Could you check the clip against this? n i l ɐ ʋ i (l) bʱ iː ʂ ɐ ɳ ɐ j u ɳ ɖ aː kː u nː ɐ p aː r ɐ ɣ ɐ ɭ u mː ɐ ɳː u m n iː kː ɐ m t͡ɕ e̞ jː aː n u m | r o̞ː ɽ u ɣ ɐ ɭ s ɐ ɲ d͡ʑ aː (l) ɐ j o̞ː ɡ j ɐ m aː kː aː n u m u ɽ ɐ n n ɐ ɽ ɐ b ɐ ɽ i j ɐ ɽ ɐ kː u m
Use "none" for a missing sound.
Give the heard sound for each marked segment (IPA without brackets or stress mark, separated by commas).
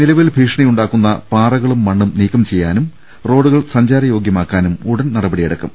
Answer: l, ɾ